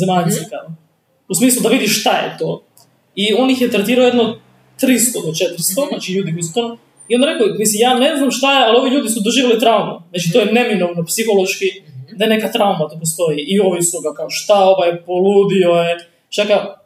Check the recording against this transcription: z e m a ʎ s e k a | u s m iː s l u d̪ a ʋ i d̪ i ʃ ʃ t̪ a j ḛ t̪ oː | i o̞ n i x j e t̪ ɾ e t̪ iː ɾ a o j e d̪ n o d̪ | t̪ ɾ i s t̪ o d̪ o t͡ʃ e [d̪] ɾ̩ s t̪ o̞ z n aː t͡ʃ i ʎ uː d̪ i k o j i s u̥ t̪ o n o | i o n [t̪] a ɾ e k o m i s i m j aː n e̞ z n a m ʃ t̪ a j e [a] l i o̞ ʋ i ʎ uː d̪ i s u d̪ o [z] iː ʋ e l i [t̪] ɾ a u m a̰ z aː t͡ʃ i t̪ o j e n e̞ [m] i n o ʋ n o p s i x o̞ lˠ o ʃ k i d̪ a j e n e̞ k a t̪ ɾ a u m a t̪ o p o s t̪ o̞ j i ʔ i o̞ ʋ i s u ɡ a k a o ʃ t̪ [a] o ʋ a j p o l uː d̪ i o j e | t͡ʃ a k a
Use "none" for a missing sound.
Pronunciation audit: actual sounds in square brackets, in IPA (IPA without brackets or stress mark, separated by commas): t̪, d̪, a, ʒ, t̪, m, a